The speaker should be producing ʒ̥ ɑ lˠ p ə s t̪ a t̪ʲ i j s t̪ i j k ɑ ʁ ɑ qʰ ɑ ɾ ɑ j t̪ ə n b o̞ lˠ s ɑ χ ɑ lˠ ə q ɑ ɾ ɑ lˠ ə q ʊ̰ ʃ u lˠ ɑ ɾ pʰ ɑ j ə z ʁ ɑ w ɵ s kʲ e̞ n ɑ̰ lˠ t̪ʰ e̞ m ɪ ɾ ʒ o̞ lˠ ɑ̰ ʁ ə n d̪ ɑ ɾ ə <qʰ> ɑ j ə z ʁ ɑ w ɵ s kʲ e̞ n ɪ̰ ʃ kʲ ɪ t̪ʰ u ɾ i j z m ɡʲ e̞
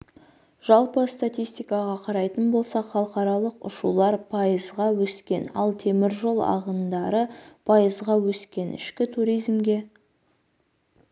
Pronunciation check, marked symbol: incorrect: pʰ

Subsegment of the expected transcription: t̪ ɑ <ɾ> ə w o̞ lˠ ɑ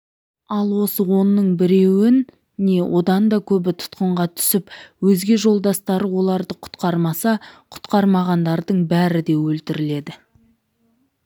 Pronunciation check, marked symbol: correct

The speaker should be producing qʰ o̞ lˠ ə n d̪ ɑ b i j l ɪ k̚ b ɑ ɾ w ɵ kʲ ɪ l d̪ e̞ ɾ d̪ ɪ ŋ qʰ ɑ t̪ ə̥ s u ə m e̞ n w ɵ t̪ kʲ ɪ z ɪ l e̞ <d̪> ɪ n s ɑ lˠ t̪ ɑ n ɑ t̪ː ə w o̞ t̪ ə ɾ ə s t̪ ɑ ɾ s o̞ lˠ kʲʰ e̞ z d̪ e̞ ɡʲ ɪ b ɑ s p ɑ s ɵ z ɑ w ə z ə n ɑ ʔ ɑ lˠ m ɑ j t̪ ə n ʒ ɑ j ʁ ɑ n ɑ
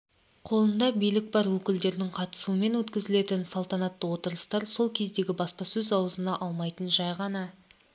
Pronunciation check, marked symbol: incorrect: t̪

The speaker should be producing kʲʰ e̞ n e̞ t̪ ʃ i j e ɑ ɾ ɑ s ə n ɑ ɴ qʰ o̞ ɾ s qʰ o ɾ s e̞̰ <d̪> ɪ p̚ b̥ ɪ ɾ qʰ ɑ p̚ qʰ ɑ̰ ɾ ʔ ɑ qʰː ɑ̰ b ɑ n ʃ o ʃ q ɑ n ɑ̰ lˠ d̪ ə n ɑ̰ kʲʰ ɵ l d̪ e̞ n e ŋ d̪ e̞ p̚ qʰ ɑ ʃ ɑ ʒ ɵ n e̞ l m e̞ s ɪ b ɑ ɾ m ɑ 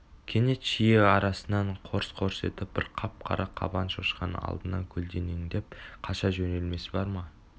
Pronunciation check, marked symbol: incorrect: t̪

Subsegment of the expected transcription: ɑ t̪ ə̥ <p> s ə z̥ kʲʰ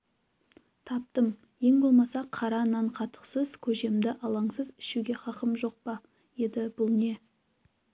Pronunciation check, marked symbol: incorrect: q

